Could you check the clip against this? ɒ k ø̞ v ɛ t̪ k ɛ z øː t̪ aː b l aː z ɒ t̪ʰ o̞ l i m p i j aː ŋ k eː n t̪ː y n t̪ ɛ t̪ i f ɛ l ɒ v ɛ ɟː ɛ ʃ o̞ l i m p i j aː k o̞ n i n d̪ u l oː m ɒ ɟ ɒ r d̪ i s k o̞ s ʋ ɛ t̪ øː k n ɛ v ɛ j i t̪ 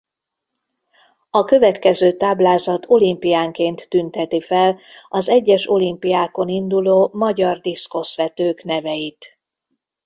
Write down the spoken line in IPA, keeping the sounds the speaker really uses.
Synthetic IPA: ɒ k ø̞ v ɛ t̪ k ɛ z øː t̪ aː b l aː z ɒ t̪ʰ o̞ l i m p i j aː ŋ k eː n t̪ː y n t̪ ɛ t̪ i f ɛ l ɒ z ɛ ɟː ɛ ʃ o̞ l i m p i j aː k o̞ n i n d̪ u l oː m ɒ ɟ ɒ r d̪ i s k o̞ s ʋ ɛ t̪ øː k n ɛ v ɛ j i t̪